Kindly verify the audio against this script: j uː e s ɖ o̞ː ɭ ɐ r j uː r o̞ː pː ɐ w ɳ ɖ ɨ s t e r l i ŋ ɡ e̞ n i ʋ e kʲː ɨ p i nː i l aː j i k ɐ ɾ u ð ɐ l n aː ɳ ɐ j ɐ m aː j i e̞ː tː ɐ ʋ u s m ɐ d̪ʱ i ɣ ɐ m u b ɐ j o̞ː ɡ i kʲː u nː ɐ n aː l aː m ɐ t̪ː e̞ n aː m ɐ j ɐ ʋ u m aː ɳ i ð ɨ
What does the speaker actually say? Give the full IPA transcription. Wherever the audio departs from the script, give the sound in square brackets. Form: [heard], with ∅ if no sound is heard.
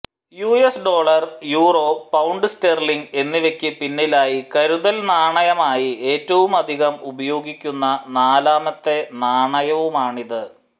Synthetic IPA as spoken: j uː e s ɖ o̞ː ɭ ɐ r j uː r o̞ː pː ɐ w ɳ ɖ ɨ s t e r l i ŋ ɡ e̞ [nː] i ʋ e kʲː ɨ p i nː i l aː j i k ɐ ɾ u ð ɐ l n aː ɳ ɐ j ɐ m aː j i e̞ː tː ɐ ʋ u [∅] m ɐ d̪ʱ i ɣ ɐ m u b ɐ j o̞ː ɡ i kʲː u nː ɐ n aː l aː m ɐ t̪ː e̞ n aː [ɳ] ɐ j ɐ ʋ u m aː ɳ i ð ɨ